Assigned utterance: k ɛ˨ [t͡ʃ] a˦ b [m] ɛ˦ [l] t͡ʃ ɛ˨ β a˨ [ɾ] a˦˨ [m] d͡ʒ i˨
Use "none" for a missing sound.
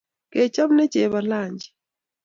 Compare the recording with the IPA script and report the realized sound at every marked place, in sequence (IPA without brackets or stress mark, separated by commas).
t͡ʃ, n, none, l, ɲ